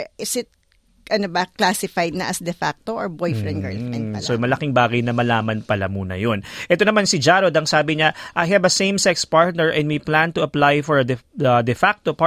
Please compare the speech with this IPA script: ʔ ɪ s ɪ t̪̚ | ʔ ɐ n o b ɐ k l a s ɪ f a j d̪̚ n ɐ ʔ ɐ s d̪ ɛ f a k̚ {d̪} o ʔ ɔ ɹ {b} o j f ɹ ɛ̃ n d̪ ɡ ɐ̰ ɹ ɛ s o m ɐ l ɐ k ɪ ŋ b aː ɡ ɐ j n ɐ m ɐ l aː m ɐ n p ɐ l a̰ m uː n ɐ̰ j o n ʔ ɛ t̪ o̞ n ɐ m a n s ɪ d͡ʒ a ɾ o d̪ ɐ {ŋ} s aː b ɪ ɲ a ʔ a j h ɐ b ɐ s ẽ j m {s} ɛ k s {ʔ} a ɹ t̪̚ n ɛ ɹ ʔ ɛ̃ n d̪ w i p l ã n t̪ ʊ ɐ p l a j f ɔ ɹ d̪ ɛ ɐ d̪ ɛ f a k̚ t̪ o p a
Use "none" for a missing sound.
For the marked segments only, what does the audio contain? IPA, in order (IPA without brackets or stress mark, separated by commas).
t̪, b, ŋ, s, p